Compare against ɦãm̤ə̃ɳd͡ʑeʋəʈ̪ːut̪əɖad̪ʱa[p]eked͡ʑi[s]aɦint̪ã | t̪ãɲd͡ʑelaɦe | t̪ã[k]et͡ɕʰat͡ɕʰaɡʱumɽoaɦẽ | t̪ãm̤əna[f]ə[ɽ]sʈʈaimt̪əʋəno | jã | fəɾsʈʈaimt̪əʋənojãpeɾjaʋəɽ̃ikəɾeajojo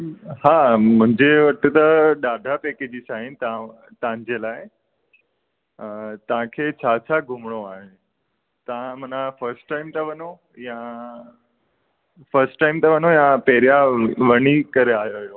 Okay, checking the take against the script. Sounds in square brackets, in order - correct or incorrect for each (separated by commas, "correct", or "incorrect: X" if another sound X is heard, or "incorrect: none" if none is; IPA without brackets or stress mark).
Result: correct, correct, incorrect: kʰ, correct, incorrect: ɾ